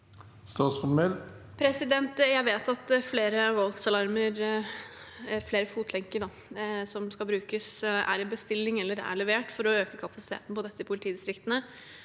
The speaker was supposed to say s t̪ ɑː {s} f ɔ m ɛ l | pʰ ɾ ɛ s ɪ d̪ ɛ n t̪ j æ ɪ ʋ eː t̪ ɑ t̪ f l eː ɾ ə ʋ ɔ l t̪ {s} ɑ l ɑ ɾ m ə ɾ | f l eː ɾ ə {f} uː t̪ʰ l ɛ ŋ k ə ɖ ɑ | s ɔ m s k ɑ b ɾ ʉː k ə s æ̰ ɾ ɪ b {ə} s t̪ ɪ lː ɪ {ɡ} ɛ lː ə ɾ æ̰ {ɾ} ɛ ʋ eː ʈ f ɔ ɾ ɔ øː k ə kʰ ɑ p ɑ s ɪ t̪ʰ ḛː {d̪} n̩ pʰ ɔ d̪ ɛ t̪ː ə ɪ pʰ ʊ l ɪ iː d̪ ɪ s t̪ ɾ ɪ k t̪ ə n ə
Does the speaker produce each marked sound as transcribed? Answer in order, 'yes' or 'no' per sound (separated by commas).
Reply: yes, yes, yes, yes, no, no, no